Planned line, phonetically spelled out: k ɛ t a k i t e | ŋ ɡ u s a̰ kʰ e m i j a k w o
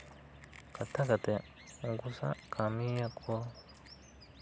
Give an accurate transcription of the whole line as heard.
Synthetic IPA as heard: k a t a k a t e | ŋ ɡ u s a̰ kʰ a m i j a k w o